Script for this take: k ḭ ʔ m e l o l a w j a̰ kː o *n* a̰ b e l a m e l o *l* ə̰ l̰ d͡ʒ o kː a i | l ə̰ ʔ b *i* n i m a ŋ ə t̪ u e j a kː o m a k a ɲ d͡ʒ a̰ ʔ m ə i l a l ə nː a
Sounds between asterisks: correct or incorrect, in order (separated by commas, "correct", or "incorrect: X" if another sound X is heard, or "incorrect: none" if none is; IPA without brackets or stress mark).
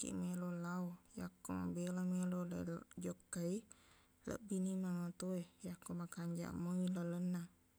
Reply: incorrect: m, correct, correct